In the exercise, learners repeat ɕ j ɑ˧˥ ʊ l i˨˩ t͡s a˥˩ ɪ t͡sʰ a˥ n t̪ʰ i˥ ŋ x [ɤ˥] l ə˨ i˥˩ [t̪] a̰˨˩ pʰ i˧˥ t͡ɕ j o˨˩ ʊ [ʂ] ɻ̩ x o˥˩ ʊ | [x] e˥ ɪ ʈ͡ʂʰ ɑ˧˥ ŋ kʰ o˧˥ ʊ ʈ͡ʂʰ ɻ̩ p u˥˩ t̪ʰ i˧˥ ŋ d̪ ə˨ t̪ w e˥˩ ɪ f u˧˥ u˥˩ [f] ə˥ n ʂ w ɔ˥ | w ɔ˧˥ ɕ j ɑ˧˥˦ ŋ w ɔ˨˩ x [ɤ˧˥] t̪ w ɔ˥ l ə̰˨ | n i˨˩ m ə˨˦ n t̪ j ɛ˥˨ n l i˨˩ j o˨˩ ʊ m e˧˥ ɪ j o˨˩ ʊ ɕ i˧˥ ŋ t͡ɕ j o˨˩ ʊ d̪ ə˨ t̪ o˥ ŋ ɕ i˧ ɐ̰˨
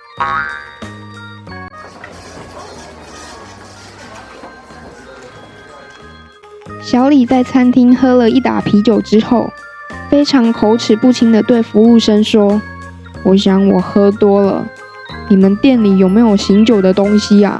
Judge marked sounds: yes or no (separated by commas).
yes, yes, no, no, no, no